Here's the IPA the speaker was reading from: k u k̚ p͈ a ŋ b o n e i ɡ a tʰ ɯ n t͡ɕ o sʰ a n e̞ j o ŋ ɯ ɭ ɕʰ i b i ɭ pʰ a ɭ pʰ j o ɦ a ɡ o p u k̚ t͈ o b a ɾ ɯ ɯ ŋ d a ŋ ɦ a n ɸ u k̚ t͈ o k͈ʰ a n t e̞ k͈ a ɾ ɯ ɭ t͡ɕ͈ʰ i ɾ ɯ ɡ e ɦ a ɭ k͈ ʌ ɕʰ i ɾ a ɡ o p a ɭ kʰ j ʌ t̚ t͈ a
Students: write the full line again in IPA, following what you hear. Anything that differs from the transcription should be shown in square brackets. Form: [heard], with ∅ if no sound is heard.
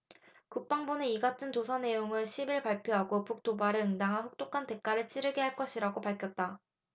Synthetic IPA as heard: k u k̚ p͈ a ŋ b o n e i ɡ a tʰ ɯ n t͡ɕ o sʰ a n e̞ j o ŋ ɯ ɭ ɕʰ i b i ɭ [p] a ɭ pʰ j o ɦ a ɡ o p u k̚ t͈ o b a ɾ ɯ ɯ ŋ d a ŋ ɦ a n ɸ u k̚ t͈ o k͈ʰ a n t e̞ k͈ a ɾ ɯ ɭ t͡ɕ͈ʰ i ɾ ɯ ɡ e ɦ a ɭ k͈ ʌ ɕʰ i ɾ a ɡ o p a ɭ kʰ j ʌ t̚ t͈ a